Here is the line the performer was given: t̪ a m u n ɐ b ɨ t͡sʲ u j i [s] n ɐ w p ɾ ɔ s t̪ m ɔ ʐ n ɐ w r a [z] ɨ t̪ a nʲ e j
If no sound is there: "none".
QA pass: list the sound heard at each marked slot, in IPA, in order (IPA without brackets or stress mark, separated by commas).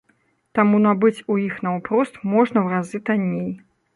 x, z